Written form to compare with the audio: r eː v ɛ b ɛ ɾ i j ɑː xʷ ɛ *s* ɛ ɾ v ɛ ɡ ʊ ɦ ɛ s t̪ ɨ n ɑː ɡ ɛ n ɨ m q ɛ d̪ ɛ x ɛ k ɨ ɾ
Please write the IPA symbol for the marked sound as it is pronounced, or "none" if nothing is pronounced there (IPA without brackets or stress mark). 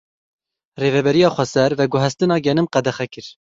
s